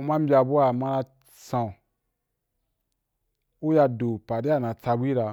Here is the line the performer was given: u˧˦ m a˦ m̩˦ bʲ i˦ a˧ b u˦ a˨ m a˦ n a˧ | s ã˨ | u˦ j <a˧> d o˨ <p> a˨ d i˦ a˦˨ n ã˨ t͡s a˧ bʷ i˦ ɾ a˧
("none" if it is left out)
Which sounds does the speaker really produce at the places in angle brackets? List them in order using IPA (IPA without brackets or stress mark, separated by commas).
a˧, p